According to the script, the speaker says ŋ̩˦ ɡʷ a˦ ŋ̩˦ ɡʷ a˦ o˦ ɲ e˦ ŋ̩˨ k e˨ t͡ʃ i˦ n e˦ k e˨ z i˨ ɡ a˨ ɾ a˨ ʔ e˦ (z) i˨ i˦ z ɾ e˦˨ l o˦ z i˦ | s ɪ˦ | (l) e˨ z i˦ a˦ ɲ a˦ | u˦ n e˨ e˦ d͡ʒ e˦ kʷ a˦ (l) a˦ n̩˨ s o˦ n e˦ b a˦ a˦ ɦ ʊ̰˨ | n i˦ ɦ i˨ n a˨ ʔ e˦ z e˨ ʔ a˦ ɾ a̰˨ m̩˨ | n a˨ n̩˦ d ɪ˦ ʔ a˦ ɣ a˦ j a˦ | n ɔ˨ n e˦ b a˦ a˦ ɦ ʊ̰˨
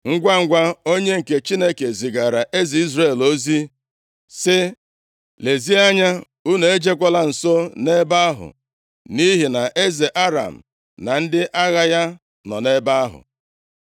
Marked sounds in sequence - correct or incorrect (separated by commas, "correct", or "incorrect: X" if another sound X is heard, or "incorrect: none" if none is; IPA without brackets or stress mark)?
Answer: correct, correct, correct